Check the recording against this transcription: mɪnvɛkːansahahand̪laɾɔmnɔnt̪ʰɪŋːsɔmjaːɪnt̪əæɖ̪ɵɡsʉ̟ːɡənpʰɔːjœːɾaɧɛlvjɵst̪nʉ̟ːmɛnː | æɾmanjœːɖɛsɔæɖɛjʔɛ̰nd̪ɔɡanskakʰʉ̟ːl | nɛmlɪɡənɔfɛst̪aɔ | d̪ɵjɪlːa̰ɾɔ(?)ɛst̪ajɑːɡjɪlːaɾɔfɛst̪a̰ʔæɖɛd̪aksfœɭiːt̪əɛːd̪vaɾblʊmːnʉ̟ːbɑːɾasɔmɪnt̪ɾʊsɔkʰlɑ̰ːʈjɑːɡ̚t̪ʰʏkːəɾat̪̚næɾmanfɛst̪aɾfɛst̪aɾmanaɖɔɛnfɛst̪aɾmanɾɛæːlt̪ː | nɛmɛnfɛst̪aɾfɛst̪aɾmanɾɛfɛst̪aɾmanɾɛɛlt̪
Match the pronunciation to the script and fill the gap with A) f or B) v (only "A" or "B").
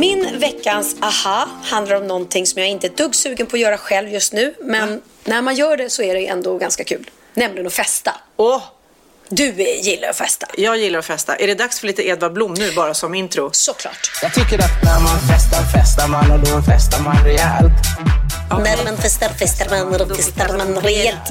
A